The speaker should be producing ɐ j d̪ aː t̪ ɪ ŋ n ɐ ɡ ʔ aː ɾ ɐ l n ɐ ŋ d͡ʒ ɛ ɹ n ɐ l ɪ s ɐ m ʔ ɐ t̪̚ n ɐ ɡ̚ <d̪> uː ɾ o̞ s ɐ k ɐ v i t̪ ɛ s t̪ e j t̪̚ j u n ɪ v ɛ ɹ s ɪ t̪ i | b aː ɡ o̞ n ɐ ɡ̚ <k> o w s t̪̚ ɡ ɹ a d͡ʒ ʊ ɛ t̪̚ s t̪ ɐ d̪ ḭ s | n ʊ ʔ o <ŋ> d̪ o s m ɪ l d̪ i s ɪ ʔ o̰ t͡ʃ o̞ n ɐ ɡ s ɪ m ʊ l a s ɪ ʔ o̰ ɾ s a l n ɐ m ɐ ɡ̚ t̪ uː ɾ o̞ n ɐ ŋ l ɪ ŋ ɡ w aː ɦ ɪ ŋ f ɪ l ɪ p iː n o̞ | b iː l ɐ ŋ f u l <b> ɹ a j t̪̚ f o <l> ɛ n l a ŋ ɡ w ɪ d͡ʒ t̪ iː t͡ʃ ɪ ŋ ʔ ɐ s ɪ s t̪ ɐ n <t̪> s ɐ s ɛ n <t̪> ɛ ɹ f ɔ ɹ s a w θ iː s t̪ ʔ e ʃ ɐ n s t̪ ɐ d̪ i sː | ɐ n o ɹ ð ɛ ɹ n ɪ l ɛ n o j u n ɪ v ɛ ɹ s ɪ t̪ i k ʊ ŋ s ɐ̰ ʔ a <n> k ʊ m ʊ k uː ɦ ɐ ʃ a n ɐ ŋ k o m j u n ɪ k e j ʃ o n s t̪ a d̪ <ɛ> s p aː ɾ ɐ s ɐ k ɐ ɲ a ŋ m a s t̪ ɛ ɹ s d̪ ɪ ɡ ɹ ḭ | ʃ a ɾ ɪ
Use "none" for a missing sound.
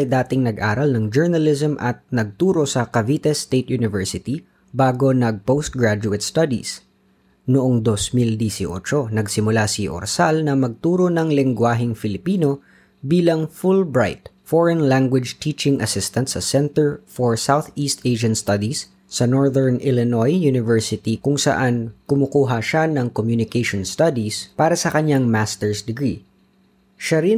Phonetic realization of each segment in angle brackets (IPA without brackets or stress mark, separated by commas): t̪, p, ŋ, b, ɹ, t̪, t̪, n, i